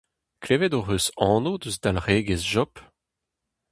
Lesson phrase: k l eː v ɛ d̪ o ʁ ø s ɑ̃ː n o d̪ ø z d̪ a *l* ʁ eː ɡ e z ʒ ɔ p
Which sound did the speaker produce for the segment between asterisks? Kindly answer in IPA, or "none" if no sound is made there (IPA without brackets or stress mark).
l